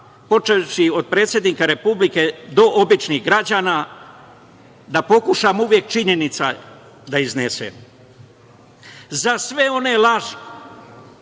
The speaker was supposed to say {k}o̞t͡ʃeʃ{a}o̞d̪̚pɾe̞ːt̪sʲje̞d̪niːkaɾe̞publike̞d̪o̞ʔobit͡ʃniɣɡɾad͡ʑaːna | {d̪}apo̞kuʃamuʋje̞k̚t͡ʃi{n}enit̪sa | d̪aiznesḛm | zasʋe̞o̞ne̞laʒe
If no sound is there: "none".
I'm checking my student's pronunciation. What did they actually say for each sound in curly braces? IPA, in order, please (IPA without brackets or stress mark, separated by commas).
p, i, d̪, ɲ